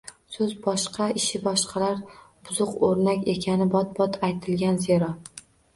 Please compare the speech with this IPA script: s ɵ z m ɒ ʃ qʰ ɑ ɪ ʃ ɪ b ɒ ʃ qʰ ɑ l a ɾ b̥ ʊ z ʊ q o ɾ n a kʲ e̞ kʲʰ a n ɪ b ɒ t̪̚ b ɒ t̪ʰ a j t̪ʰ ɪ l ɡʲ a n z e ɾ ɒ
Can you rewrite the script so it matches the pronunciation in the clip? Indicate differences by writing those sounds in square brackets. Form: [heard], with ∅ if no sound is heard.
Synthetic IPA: s ɵ z [b] ɒ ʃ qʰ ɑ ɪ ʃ ɪ b ɒ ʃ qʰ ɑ l a ɾ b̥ ʊ z ʊ q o ɾ n a kʲ e̞ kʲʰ a n ɪ b ɒ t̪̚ b ɒ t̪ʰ a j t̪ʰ ɪ l ɡʲ a n z e ɾ ɒ